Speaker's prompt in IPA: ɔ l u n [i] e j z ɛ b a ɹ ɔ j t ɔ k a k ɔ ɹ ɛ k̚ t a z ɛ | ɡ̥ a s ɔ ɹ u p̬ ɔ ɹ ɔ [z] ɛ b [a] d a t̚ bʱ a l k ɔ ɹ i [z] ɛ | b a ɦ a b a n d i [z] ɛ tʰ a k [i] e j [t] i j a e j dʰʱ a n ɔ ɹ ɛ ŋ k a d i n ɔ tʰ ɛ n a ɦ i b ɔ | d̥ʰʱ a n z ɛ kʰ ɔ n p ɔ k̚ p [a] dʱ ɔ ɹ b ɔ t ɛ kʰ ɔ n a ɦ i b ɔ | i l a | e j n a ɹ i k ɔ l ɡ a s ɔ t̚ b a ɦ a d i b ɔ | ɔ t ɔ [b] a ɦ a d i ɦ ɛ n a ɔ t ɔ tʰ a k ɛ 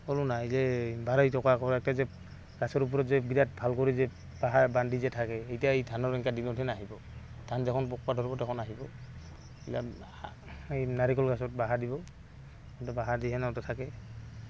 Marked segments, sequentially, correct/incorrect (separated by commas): incorrect, correct, incorrect, correct, correct, incorrect, correct, correct, correct